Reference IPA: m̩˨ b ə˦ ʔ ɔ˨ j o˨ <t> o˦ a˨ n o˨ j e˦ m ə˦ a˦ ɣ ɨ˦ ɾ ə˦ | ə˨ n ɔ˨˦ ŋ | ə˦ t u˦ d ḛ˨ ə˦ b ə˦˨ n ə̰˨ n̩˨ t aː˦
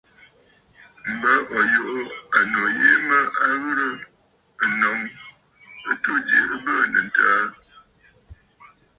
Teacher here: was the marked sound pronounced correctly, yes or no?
no